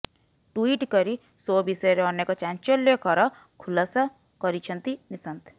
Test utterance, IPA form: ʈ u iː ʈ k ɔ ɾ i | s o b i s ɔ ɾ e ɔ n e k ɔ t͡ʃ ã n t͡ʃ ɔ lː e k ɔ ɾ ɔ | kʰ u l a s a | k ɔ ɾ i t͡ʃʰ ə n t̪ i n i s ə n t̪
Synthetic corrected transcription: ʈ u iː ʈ k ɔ ɾ i | s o b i s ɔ ɾ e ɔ n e k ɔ t͡ʃ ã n t͡ʃ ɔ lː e k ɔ ɾ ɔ | kʰ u l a s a | k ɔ ɾ i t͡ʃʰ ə n t̪ i n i s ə n t̪